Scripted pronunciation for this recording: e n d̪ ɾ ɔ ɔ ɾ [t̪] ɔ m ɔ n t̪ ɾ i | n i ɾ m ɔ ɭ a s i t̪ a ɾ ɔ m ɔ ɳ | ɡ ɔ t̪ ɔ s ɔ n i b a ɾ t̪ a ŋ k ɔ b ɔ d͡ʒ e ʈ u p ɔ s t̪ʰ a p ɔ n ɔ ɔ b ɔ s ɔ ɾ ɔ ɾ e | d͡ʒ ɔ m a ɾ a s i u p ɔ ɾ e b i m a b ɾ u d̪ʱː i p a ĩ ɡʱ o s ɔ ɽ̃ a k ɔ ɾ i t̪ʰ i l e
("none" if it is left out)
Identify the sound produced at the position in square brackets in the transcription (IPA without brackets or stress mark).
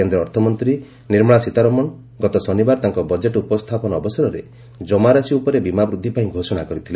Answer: t̪ʰ